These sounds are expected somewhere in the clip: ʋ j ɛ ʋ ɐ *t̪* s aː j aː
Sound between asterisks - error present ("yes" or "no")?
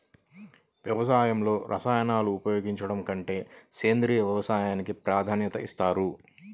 yes